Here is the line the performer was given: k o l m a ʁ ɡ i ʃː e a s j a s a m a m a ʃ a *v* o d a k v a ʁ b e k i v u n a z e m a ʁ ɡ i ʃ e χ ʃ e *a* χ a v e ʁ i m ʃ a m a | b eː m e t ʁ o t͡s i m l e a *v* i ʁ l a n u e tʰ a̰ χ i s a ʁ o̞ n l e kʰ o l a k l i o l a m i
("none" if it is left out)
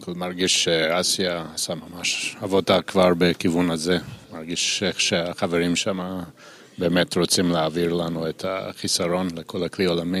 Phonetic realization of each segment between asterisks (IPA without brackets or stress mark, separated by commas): v, a, v